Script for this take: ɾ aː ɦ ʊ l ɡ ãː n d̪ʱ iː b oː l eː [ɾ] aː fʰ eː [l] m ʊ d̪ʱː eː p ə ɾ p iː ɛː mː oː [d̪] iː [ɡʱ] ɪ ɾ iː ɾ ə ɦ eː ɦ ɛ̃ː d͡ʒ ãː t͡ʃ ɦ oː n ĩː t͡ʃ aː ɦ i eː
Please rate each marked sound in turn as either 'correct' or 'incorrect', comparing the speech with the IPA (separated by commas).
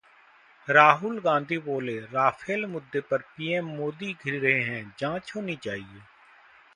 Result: correct, correct, correct, correct